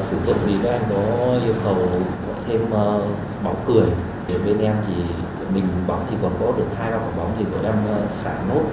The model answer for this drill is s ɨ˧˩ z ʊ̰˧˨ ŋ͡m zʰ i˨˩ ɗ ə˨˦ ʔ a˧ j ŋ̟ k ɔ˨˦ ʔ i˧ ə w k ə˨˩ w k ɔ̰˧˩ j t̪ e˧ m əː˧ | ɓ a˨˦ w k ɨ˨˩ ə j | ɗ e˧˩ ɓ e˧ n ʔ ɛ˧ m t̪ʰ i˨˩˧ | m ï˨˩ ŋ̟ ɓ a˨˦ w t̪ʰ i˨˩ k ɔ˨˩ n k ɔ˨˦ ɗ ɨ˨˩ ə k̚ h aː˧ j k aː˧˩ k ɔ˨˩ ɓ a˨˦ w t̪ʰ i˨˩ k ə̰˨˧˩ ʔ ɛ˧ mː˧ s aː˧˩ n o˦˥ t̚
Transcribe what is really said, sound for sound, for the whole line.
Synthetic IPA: s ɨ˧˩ z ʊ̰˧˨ ŋ͡m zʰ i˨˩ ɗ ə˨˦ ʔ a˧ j ŋ̟ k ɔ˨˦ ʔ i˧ ə w k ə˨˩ w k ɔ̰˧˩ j t̪ʰ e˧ m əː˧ | ɓ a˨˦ w k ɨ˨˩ ə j | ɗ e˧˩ ɓ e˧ n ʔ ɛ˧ m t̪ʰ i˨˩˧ | m ï˨˩ ŋ̟ ɓ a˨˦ w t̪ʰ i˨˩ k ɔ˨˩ n k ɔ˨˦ ɗ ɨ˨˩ ə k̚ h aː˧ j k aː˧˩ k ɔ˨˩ ɓ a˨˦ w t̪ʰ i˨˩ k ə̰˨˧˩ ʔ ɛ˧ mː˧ s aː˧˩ n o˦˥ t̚